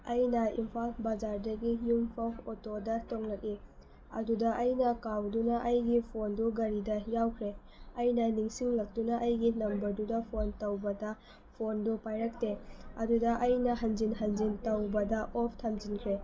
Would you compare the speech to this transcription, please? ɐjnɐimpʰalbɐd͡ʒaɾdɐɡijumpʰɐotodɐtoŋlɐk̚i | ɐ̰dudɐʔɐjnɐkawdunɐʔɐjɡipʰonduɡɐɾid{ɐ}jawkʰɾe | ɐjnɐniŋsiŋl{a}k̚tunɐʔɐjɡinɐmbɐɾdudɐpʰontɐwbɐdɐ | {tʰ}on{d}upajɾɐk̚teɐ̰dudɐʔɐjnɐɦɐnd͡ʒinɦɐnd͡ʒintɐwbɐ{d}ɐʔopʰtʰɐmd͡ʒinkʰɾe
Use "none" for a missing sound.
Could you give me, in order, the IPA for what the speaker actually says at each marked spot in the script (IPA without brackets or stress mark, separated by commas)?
ɐ, ɐ, pʰ, d, d